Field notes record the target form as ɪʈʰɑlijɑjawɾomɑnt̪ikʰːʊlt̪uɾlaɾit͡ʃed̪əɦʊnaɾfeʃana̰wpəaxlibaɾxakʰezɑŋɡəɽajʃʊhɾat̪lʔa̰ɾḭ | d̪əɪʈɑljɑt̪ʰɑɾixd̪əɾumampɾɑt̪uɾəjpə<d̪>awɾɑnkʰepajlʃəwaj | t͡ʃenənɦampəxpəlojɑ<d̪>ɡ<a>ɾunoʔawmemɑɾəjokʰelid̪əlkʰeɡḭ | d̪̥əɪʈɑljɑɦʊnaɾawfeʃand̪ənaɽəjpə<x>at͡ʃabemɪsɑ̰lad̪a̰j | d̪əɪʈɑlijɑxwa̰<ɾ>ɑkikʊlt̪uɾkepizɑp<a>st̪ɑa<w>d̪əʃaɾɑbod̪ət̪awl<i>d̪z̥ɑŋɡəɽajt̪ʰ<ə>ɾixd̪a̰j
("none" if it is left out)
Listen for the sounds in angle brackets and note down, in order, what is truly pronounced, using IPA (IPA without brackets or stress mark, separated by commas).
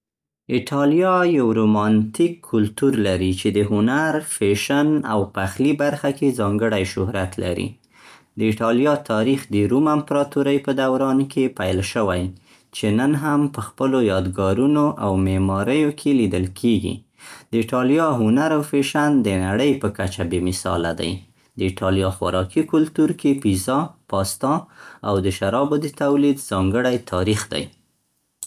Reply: d̪, d̪, ɑ, k, ɾ, ɑ, w, i, ɑ